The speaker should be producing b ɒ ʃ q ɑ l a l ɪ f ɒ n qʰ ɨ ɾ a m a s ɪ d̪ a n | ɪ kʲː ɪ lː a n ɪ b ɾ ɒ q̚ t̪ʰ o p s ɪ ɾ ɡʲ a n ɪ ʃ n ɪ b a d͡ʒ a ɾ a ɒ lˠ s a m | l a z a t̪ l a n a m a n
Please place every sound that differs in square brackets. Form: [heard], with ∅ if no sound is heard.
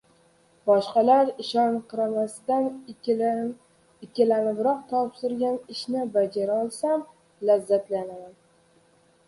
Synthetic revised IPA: b ɒ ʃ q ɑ l a [ɾ] ɪ [ʃ] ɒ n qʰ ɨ ɾ a m a s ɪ d̪ a n | ɪ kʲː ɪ [l] a n ɪ b ɾ ɒ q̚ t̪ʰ [ɒ] p s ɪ ɾ ɡʲ a n ɪ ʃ n ɪ b a d͡ʒ a ɾ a ɒ lˠ s a m | l a [zː] a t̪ l a n a m a n